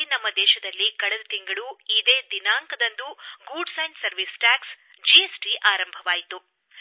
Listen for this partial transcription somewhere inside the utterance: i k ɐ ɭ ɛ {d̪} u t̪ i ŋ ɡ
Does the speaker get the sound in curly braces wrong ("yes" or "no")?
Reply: no